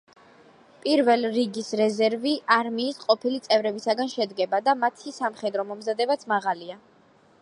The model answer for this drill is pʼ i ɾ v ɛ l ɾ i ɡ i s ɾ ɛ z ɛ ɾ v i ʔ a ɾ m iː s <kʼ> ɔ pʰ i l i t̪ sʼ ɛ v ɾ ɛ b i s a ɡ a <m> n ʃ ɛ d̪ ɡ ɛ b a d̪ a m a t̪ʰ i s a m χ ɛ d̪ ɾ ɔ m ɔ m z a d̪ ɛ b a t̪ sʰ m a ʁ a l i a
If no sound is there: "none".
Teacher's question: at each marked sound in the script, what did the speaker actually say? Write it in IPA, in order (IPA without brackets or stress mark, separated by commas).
qʼ, none